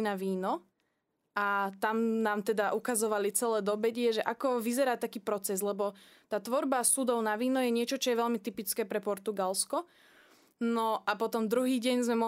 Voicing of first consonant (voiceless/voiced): voiced